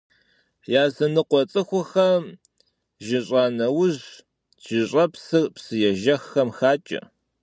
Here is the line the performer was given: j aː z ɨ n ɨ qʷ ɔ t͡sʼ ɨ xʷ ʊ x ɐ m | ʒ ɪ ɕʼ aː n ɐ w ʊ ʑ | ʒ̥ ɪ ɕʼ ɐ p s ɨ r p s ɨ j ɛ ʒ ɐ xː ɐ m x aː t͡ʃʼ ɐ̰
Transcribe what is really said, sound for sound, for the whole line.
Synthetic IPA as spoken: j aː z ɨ n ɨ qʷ ɔ t͡sʼ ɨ xʷ ʊ x ɐ m | ʒ ɪ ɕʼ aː n ɐ w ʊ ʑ | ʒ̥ ɪ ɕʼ ɐ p s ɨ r p s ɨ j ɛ ʒ ɐ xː ɐ m x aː t͡ʃʼ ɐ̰